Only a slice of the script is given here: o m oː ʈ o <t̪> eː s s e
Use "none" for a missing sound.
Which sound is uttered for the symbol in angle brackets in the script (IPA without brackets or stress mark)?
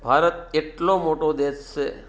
d̪